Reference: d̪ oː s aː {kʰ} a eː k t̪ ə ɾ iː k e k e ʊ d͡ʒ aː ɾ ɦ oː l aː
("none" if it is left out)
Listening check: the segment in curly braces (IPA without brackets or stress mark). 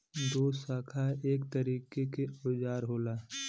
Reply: kʰ